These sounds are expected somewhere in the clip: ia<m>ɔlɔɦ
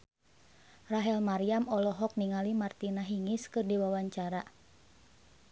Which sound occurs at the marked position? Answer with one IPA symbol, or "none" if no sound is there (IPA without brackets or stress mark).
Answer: m